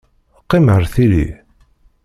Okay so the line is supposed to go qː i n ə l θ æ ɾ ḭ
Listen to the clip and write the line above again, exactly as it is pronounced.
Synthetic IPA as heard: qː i m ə ɾ θ i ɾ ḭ